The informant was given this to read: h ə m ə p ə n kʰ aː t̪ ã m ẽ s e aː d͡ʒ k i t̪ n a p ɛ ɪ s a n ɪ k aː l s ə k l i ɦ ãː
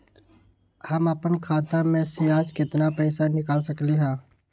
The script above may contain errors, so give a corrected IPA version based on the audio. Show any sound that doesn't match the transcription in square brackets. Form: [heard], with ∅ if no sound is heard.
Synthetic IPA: h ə m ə p ə n kʰ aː t̪ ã m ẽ s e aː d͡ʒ k [ɪ] t̪ n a p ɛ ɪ s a n ɪ k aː l s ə k l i ɦ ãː